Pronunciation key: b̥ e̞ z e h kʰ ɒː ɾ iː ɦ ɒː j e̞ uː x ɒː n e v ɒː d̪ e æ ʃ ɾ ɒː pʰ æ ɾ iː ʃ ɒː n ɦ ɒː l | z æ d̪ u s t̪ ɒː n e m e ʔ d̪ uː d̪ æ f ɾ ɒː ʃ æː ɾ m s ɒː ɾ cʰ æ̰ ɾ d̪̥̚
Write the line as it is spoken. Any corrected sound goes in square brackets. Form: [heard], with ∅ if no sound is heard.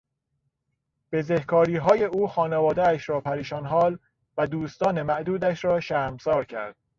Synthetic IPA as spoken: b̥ e̞ z e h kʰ ɒː ɾ iː ɦ ɒː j e̞ uː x ɒː n e v ɒː d̪ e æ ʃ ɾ ɒː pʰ æ ɾ iː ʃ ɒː n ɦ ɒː l | [v] æ d̪ [uː] s t̪ ɒː n e m [æ] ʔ d̪ uː d̪ æ [ʃ] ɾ ɒː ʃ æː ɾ m s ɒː ɾ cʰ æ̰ ɾ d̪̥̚